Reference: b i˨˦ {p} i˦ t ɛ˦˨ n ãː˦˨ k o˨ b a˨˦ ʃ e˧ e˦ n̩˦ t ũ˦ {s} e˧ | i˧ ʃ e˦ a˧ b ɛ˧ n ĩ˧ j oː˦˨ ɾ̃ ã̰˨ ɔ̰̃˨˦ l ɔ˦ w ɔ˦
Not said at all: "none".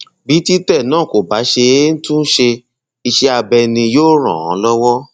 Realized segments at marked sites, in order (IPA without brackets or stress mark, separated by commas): t, ʃ